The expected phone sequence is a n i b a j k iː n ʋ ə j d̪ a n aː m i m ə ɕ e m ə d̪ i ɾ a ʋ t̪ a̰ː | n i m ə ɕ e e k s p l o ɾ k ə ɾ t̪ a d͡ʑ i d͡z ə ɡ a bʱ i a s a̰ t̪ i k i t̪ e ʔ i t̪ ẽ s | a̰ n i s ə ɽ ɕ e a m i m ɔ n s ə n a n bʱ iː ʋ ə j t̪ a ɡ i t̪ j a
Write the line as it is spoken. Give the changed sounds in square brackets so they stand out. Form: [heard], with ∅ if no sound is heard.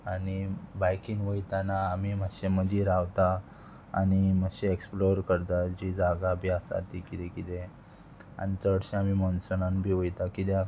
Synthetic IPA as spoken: a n i b a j k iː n ʋ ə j [t̪] a n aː m i m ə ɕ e m ə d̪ i ɾ a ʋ t̪ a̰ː | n i m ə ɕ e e k s p l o ɾ k ə ɾ t̪ a d͡ʑ i d͡z [a] ɡ a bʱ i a s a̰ t̪ i k i t̪ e [k] i t̪ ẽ [∅] | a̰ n i [t͡s] ə ɽ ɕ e a m i m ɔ n s ə n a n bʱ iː ʋ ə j t̪ a [k] i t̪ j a